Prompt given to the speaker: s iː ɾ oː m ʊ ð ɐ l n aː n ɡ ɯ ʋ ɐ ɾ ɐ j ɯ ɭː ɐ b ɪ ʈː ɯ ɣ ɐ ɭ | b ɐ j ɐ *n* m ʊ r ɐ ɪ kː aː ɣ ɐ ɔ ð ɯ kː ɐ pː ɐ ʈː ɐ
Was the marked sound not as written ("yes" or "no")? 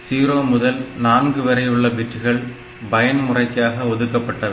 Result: no